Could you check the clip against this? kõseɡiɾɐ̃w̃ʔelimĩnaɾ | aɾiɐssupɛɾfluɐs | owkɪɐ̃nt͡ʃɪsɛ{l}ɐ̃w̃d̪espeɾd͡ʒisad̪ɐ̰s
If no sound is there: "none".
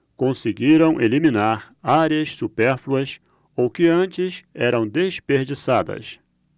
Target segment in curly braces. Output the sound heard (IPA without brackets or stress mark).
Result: ɾ